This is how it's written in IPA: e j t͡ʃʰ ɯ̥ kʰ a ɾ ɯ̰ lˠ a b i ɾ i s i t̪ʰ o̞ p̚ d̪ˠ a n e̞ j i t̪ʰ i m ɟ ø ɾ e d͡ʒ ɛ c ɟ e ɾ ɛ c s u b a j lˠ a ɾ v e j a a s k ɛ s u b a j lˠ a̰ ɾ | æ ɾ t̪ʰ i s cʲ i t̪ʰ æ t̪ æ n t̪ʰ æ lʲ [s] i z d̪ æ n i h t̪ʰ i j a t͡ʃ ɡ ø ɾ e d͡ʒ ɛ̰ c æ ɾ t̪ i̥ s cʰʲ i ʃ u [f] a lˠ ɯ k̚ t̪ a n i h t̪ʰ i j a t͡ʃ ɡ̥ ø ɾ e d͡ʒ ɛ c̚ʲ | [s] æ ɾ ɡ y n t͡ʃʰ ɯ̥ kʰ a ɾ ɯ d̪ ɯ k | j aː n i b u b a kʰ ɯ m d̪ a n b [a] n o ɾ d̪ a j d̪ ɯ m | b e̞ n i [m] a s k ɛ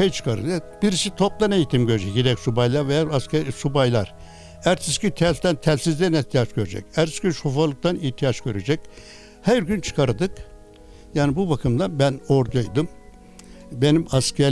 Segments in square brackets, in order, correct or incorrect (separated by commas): correct, correct, incorrect, incorrect, correct